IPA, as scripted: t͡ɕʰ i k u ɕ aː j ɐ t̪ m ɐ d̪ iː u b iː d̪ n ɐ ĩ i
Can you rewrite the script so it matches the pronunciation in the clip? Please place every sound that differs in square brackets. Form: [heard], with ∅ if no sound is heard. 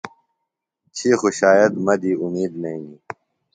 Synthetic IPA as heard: t͡ɕʰ i [x] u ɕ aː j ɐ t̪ m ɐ d̪ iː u [m] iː d̪ n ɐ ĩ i